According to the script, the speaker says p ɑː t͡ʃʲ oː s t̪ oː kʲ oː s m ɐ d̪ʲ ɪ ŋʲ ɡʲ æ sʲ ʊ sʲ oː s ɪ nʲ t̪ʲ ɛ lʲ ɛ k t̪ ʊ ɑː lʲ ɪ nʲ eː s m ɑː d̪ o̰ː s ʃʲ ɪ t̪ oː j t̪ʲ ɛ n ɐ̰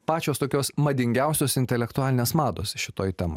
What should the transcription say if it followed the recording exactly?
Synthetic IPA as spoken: p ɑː t͡ʃʲ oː s t̪ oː kʲ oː s m ɐ d̪ʲ ɪ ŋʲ ɡʲ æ ʊ sʲ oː s ɪ nʲ t̪ʲ ɛ lʲ ɛ k t̪ ʊ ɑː lʲ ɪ nʲ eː s m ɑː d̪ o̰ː s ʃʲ ɪ t̪ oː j t̪ʲ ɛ m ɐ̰